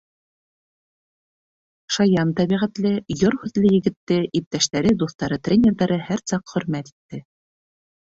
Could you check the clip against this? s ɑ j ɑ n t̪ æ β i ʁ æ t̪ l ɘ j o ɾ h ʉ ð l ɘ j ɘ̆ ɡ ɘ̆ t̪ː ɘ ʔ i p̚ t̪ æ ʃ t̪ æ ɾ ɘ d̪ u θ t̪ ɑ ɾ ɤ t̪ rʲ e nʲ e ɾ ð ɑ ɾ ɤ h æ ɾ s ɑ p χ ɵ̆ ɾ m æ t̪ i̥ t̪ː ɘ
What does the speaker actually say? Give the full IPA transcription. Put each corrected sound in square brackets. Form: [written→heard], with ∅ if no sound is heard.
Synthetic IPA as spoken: [s→ʃ] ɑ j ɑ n t̪ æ β i ʁ æ t̪ l ɘ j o ɾ h ʉ ð l ɘ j ɘ̆ ɡ ɘ̆ t̪ː ɘ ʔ i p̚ t̪ æ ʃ t̪ æ ɾ ɘ d̪ u θ t̪ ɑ ɾ ɤ t̪ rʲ e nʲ e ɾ ð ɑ ɾ ɤ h æ ɾ s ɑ [p→q] χ ɵ̆ ɾ m æ t̪ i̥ t̪ː ɘ